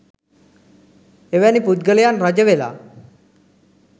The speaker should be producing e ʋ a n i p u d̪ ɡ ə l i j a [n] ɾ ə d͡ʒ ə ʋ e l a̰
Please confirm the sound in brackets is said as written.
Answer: yes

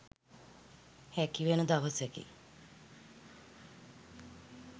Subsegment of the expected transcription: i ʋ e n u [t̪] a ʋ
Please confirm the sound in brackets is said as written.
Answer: no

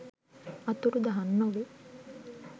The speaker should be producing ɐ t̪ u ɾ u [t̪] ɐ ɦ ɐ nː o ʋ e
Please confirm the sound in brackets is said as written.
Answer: no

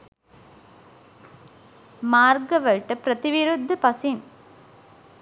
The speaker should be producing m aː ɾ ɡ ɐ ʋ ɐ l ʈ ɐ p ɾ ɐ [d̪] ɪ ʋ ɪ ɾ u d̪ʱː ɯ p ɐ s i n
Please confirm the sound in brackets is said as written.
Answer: no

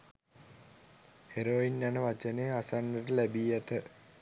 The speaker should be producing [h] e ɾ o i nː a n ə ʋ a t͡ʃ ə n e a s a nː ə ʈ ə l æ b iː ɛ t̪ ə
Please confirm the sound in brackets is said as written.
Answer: yes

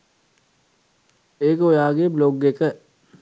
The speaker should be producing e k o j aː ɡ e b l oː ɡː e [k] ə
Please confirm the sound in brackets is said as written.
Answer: yes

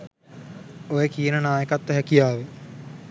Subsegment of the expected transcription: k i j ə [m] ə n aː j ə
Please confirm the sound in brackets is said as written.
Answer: no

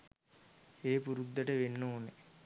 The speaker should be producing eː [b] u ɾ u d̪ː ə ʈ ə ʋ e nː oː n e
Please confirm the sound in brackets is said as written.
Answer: no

